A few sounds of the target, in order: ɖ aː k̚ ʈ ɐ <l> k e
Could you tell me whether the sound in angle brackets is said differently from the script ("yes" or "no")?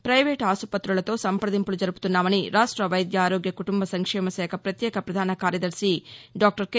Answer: yes